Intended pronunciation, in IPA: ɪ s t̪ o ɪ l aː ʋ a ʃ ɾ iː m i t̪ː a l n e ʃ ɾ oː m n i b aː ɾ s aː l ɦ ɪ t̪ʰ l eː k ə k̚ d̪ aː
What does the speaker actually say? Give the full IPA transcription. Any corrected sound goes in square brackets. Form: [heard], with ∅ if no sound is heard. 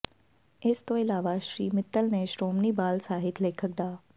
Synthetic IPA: ɪ s t̪ o ɪ l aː ʋ a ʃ ɾ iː m [ɪ] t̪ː [ə] l n e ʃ ɾ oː m n i b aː [l] s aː [∅] ɦ ɪ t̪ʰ l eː [kʰ] ə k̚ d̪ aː